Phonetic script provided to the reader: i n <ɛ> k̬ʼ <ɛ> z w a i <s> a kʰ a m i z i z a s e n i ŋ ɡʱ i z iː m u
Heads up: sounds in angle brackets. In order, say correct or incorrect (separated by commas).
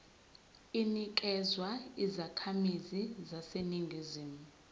incorrect, correct, incorrect